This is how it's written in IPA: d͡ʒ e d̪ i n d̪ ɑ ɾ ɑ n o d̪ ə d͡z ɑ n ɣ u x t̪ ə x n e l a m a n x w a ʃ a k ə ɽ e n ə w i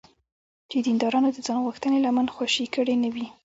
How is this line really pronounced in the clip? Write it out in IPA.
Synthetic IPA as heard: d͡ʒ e d̪ i n d̪ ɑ ɾ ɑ n o d̪ ə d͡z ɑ n ɣ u x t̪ ə n e l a m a n x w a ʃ i k ə ɽ e n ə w i